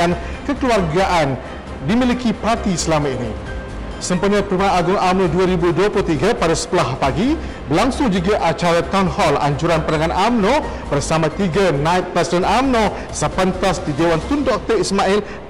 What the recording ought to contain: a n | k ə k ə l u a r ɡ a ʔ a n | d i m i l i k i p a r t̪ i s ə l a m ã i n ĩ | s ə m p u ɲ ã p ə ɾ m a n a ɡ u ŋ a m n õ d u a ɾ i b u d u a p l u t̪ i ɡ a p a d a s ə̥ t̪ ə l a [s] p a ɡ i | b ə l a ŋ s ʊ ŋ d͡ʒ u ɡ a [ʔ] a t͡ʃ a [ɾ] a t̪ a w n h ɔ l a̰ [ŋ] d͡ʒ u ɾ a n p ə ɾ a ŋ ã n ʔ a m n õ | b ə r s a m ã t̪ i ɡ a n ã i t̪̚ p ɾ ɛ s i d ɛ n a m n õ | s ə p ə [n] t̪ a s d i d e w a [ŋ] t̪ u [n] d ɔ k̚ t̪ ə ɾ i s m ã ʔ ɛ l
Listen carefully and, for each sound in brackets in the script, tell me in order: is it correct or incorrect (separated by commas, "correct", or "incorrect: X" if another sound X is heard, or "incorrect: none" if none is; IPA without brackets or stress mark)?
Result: incorrect: h, correct, correct, incorrect: ɲ, correct, incorrect: n, correct